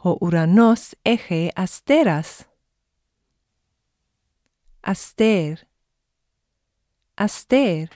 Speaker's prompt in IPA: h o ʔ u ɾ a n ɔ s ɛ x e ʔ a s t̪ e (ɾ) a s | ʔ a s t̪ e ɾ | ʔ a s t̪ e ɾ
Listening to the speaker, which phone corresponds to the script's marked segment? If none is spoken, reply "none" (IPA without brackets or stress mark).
ɾ